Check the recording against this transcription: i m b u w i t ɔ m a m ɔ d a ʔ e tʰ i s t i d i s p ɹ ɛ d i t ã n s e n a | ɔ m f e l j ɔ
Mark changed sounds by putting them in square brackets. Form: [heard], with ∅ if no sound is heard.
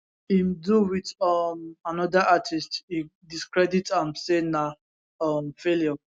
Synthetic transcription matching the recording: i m [d] u w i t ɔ m a [n] ɔ d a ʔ [a] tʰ i s t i d i s [k] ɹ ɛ d i t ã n s e n a | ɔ m f e l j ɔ